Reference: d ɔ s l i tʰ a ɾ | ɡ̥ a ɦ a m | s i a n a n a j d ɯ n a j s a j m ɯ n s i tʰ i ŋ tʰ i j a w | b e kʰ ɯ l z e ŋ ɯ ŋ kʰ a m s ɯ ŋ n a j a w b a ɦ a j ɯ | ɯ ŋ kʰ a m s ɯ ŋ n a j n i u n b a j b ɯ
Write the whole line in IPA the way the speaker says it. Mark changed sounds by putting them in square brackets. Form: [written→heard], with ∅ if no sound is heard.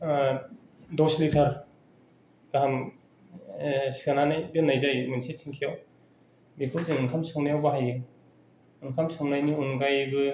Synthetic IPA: d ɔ s l i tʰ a ɾ | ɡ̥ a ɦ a m | s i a n a n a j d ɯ n a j [s→z] a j m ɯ n s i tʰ i ŋ [tʰ→kʰ] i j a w | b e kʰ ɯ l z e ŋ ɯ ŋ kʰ a m s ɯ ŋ n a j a w b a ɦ a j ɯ | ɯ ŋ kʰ a m s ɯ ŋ n a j n i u n [b→ɡ] a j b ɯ